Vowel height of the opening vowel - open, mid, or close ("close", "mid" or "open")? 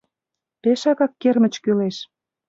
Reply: mid